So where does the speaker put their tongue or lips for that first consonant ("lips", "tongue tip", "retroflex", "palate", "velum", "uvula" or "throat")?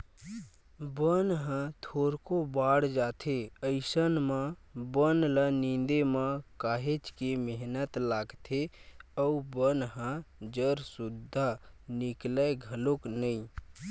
lips